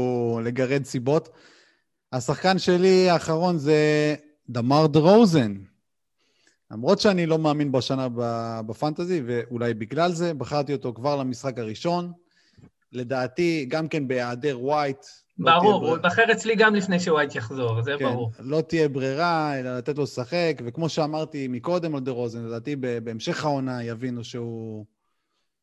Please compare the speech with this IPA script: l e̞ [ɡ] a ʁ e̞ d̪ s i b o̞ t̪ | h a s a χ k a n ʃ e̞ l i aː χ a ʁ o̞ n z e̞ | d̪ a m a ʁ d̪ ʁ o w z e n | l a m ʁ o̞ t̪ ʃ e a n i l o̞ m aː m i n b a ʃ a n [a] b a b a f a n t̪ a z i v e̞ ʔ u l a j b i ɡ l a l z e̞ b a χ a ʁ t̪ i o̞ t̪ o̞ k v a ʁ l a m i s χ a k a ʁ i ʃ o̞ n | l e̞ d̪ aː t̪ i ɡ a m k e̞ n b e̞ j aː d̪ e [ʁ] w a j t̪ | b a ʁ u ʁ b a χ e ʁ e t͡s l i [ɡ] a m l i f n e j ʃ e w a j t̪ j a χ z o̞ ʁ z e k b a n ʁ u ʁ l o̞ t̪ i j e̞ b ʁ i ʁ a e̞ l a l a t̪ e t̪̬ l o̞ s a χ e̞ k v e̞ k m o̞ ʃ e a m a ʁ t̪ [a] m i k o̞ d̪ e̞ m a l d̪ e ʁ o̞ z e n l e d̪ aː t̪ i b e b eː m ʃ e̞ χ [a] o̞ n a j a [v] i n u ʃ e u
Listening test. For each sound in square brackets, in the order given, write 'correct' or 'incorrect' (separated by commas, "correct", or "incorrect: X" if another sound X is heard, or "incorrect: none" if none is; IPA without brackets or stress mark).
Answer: correct, correct, correct, correct, incorrect: i, correct, correct